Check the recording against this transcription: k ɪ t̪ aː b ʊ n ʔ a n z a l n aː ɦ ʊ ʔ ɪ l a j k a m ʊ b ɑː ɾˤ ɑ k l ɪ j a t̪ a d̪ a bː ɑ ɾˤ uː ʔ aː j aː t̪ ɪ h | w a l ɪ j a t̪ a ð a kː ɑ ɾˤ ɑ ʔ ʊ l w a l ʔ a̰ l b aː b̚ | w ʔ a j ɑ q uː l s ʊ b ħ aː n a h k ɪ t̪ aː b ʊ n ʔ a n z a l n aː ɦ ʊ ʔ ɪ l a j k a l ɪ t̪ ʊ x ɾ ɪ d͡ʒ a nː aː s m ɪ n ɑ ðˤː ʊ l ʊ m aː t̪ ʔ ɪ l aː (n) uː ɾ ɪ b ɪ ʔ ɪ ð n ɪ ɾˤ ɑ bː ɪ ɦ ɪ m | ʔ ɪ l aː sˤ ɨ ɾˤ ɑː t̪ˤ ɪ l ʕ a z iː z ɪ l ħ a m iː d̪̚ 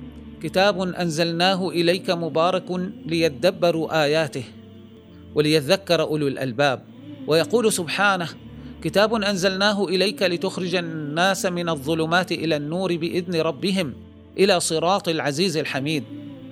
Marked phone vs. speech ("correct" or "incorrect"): incorrect